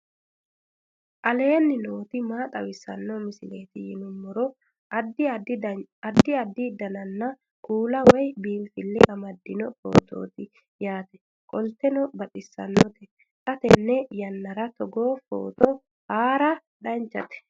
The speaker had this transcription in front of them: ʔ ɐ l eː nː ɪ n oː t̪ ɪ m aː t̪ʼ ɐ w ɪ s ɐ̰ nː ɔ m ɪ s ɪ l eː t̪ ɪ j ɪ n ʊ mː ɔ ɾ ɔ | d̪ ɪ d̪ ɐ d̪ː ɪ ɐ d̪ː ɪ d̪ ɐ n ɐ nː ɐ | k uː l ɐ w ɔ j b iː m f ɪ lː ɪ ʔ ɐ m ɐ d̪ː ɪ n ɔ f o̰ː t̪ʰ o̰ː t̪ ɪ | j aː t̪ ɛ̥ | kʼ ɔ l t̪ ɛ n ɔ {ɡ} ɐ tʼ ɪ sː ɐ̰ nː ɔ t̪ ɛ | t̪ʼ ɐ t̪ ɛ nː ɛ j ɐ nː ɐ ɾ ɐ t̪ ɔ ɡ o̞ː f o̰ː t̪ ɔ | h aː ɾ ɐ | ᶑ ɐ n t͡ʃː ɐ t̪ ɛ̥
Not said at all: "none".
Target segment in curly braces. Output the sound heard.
b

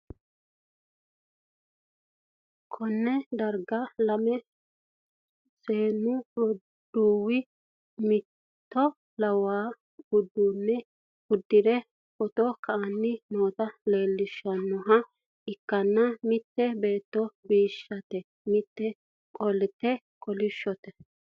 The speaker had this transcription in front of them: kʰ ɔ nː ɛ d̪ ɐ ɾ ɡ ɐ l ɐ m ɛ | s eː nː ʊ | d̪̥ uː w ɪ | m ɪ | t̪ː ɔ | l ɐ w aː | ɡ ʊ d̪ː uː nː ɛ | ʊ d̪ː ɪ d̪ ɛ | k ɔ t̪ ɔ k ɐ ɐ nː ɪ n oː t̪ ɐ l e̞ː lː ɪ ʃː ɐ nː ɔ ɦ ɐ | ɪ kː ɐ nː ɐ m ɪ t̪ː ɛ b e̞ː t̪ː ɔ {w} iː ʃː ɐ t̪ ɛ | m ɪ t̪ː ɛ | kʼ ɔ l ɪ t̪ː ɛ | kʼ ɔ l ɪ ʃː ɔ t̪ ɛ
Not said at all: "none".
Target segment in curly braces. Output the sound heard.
b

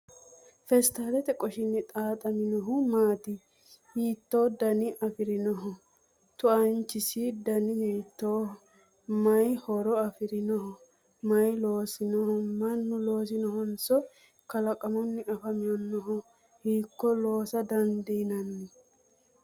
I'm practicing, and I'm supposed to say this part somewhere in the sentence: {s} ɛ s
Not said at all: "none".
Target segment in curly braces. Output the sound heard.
f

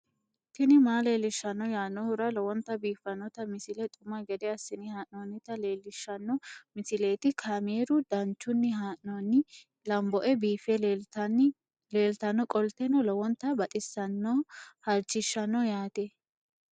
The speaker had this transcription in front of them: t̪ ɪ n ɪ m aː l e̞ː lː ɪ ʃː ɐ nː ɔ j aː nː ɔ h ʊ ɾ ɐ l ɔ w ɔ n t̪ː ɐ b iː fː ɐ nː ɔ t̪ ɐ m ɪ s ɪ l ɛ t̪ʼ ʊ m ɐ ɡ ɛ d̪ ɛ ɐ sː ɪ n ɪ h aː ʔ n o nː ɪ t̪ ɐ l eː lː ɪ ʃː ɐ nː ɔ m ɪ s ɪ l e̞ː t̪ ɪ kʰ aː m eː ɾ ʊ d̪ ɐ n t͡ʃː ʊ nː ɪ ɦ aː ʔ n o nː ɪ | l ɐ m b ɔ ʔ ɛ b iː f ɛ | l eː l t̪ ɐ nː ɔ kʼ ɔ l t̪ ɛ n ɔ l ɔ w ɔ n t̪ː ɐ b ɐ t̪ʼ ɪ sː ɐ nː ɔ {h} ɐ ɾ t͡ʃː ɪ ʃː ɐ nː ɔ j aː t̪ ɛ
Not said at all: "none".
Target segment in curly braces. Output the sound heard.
h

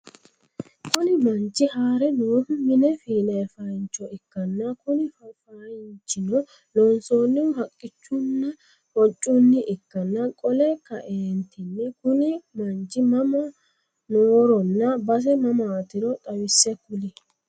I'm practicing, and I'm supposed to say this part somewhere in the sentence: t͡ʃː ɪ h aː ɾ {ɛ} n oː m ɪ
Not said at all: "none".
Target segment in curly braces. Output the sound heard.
ɛ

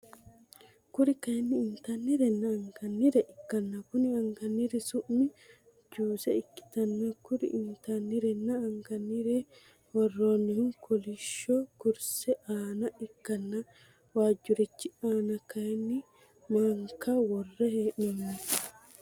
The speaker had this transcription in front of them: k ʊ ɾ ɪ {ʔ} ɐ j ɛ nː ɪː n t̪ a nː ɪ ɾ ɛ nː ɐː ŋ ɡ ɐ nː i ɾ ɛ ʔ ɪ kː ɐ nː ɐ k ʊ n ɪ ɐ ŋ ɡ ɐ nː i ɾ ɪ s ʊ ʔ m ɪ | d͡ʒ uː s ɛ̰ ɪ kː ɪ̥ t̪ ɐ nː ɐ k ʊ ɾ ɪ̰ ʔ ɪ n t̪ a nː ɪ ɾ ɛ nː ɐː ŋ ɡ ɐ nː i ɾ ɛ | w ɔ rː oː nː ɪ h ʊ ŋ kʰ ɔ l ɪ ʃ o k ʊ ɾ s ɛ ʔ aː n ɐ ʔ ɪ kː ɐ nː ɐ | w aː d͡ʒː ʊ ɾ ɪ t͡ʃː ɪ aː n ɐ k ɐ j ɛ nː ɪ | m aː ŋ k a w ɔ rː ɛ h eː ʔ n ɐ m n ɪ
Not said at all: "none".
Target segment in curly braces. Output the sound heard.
k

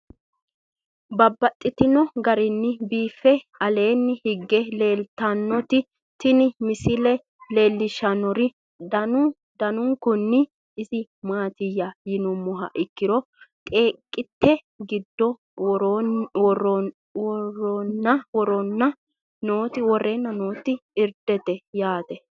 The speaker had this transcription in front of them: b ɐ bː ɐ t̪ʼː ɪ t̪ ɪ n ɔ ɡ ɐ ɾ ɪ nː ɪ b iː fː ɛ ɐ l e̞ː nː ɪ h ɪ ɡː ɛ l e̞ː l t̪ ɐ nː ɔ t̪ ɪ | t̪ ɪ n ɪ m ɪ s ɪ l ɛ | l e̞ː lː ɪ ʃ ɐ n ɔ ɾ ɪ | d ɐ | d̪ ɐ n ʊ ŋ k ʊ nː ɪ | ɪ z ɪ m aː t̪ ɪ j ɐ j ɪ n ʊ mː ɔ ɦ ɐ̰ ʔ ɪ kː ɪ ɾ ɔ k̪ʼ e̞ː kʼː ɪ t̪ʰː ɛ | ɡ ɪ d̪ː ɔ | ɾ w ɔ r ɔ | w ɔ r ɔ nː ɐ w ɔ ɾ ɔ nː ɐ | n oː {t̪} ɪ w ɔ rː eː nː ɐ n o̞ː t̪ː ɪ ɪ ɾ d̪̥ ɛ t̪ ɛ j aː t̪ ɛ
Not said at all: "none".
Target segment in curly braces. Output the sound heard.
t̪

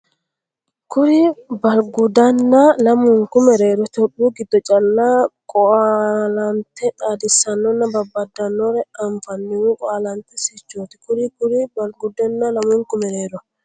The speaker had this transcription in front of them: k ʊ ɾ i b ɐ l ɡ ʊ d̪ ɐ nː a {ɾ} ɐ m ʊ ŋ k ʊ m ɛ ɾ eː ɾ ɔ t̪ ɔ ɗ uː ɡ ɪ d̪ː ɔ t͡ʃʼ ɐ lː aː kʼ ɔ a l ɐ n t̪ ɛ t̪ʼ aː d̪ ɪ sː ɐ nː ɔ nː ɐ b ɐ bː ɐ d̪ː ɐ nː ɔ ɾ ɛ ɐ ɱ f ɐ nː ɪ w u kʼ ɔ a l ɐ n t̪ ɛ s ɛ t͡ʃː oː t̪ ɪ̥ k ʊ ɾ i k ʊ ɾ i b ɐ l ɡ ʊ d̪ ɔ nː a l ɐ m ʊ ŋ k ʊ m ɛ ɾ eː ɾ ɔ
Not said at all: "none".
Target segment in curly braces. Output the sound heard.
l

